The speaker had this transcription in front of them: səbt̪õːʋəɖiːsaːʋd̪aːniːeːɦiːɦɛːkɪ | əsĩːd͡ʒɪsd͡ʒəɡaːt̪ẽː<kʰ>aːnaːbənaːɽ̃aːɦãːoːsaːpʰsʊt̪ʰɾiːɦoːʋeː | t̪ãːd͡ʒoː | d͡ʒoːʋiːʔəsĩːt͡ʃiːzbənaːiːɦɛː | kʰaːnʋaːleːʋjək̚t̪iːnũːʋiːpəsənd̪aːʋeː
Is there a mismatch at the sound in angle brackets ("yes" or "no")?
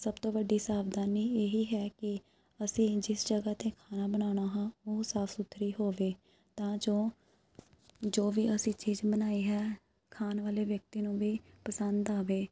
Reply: no